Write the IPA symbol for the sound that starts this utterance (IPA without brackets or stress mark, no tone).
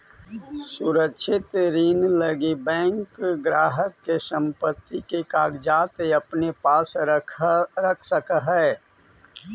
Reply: s